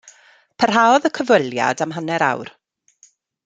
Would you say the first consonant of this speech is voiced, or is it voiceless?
voiceless